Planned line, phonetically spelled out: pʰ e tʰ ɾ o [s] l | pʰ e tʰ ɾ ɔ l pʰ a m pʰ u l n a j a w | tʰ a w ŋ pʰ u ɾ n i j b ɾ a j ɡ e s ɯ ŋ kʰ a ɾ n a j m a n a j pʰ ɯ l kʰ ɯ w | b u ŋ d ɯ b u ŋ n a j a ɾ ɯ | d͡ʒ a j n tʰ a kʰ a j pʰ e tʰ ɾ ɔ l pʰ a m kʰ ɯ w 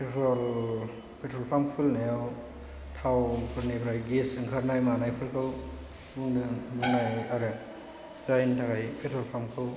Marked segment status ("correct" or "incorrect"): incorrect